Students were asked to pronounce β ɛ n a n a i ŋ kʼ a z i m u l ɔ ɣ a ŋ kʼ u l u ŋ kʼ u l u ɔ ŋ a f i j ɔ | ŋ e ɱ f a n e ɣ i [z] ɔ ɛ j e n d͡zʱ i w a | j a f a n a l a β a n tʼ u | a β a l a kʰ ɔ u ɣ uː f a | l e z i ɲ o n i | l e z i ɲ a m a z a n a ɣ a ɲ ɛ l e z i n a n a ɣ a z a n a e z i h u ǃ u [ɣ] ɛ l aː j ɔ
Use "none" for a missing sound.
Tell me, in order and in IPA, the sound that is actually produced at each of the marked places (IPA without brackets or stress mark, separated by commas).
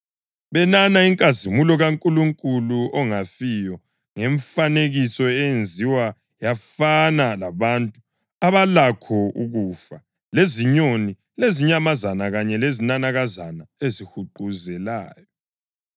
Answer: s, z